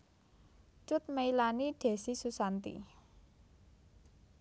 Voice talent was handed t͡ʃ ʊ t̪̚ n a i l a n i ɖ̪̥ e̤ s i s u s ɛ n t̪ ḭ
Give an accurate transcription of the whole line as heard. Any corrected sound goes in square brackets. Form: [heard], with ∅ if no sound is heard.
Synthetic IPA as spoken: t͡ʃ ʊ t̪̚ [m] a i l a n i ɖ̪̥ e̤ s i s u s [a] n t̪ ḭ